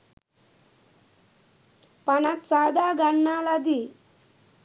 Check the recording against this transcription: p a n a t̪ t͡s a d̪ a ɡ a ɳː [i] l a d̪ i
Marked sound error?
yes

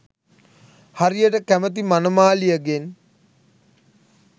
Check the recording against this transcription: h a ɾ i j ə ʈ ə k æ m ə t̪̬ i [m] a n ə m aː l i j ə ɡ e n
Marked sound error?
no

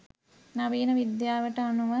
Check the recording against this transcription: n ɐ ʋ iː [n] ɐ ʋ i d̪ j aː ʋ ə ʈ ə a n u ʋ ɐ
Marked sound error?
no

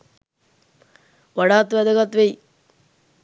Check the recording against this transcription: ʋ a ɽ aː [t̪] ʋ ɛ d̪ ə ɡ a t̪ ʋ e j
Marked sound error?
no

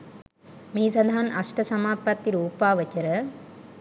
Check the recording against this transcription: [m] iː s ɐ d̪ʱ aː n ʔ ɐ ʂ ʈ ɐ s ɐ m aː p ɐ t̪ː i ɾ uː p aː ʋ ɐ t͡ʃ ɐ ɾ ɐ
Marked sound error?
no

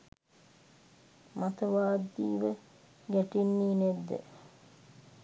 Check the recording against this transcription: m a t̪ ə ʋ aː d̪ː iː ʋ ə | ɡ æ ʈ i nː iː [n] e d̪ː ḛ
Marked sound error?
no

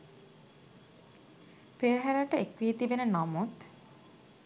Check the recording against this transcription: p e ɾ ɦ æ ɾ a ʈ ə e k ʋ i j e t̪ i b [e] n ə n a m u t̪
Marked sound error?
no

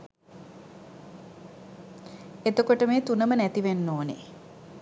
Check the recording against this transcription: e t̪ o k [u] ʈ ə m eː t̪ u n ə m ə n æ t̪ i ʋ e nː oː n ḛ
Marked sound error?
yes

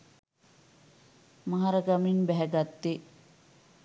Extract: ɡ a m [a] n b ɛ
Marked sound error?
yes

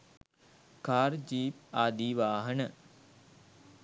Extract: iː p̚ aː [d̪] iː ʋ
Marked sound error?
no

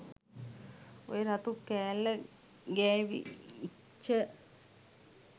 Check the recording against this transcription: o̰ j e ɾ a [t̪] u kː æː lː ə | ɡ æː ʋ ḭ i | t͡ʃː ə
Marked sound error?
no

